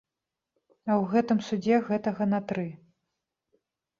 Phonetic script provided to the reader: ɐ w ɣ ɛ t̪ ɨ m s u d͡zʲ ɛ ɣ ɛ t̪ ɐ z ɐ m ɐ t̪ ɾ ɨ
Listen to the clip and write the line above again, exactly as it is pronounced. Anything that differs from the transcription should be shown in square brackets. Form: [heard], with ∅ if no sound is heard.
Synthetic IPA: ɐ w ɣ ɛ t̪ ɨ m s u d͡zʲ ɛ ɣ ɛ t̪ ɐ [ɣ] ɐ [n] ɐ t̪ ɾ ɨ